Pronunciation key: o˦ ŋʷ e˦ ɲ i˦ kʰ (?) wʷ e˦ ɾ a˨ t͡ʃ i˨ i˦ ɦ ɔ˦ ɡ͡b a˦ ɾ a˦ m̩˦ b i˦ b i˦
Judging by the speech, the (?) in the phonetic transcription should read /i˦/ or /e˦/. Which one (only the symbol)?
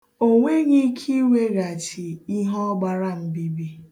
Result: i˦